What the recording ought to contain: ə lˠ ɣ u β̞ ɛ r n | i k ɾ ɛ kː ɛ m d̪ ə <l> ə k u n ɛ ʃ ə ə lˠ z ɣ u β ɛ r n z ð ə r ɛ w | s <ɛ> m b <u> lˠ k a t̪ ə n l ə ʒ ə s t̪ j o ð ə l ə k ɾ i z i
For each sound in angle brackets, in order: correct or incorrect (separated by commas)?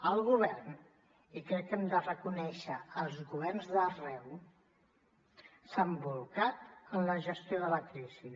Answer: incorrect, incorrect, correct